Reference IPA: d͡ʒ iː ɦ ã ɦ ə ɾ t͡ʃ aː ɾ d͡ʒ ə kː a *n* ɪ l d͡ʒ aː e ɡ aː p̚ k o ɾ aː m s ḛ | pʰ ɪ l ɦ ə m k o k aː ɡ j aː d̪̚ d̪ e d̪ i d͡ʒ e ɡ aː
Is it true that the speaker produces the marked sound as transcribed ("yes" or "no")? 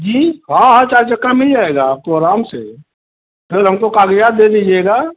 no